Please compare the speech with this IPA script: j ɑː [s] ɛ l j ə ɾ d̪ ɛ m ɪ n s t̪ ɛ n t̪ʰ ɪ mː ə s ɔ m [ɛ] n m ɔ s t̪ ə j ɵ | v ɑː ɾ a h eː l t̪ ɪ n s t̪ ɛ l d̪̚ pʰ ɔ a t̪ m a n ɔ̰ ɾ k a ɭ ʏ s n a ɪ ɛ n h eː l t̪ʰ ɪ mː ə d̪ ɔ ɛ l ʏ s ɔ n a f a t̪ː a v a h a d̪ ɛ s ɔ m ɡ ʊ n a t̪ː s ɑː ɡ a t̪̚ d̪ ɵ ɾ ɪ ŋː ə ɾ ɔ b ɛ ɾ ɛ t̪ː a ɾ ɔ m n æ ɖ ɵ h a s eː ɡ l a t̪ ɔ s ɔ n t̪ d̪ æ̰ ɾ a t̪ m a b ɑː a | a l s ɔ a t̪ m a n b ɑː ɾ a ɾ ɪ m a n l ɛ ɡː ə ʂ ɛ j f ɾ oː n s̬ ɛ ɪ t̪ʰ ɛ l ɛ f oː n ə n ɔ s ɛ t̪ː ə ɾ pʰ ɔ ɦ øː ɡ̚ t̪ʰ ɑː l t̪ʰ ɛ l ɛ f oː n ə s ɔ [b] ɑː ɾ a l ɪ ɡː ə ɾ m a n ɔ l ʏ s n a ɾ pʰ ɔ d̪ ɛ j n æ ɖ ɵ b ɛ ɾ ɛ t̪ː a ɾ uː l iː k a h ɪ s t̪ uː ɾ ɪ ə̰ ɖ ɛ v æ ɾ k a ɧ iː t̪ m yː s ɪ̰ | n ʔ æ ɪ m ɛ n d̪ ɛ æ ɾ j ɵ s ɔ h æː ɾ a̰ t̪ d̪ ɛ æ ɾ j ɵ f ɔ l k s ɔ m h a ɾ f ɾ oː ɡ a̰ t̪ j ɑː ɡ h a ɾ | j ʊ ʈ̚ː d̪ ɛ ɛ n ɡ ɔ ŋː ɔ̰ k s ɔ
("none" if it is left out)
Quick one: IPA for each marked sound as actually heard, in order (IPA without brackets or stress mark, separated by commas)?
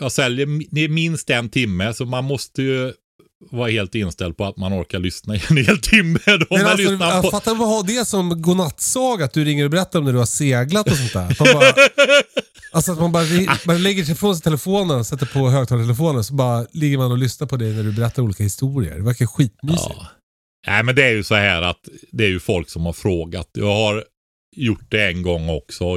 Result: s, a, b